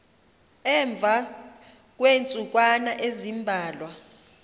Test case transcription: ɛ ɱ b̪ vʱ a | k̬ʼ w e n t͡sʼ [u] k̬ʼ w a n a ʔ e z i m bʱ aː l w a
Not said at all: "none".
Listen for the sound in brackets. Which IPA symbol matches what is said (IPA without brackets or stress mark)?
u